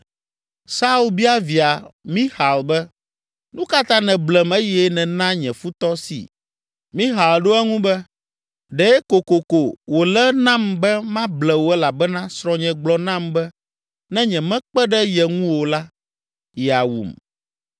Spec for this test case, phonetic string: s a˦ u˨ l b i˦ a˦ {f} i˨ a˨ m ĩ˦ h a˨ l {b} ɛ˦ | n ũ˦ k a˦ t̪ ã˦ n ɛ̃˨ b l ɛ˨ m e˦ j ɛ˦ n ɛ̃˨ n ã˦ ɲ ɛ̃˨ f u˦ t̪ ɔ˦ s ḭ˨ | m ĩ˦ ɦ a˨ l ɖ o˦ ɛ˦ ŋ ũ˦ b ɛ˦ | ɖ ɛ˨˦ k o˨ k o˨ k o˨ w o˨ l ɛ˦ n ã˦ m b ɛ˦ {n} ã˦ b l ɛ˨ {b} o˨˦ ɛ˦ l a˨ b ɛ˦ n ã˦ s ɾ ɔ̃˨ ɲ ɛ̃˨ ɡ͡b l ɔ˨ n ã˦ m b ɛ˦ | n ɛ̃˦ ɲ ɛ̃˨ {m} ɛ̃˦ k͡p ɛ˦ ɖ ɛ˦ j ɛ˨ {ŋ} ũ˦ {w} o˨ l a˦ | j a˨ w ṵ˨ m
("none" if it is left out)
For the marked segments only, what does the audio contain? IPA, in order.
v, b, m, w, m, ŋ, w

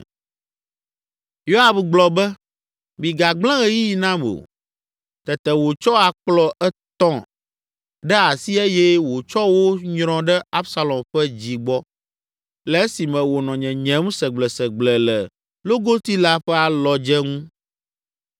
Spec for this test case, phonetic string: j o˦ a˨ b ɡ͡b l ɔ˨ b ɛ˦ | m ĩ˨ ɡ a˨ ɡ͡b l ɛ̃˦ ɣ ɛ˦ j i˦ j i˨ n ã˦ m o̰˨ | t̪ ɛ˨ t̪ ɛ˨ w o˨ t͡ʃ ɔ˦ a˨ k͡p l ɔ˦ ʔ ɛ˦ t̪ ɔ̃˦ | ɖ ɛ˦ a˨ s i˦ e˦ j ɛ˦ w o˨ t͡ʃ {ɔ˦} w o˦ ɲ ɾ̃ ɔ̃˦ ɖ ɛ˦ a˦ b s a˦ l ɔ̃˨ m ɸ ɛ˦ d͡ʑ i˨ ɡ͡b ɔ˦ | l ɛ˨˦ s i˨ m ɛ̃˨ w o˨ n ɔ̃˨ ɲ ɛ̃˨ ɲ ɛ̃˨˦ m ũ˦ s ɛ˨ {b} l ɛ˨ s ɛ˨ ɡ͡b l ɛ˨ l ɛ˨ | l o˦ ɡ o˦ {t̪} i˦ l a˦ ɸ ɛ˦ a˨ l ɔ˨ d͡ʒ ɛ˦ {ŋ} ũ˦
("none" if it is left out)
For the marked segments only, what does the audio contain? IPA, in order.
ɔ˦, ɡ͡b, t̪, ŋ

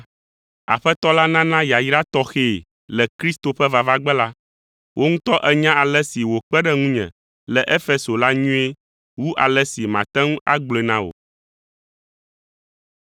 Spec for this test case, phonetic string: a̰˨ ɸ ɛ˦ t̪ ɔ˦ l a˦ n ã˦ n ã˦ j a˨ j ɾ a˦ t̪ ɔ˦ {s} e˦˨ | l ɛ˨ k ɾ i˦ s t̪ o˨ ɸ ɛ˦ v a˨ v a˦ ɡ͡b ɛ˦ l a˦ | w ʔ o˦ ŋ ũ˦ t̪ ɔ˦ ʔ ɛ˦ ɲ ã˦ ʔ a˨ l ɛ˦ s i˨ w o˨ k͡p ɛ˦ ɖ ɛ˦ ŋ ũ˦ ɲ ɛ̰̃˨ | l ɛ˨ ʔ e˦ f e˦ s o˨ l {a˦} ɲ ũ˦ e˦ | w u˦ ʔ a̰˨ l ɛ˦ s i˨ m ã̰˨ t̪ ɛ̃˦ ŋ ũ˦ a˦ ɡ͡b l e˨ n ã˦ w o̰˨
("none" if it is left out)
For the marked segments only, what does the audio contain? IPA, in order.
x, a˦

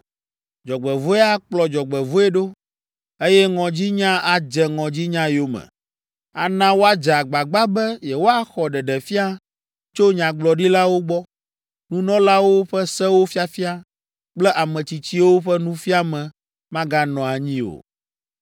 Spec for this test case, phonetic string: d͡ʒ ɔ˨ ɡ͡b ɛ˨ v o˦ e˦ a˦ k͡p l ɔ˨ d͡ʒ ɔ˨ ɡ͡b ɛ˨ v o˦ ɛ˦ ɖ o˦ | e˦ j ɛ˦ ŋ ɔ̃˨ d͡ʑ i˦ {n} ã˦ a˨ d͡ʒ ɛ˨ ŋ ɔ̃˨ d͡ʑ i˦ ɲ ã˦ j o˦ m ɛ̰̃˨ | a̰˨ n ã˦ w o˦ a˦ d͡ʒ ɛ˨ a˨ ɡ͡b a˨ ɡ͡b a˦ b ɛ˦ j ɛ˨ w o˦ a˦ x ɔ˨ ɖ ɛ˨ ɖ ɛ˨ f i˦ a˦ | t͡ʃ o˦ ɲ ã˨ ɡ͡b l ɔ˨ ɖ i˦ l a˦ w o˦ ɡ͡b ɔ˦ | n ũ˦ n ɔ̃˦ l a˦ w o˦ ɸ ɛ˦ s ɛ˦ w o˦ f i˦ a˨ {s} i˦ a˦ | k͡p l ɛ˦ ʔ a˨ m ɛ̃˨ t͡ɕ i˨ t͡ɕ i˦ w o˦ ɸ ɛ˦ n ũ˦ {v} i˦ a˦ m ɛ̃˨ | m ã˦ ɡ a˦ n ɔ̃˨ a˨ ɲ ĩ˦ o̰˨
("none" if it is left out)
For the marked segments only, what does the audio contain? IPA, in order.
ɲ, f, f

